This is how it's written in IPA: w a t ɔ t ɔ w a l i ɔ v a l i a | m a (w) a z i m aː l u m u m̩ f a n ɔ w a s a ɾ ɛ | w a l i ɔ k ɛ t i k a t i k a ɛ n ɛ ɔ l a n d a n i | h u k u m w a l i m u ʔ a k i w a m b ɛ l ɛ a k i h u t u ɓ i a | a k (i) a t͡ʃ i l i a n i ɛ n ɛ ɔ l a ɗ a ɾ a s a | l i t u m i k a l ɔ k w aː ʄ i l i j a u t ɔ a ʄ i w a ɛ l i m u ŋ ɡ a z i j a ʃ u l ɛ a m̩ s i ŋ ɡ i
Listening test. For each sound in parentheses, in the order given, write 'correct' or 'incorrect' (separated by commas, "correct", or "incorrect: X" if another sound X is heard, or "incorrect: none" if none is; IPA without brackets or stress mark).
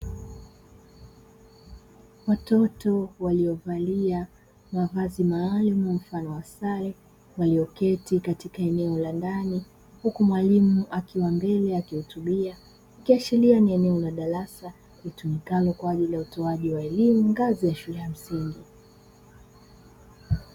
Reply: incorrect: v, correct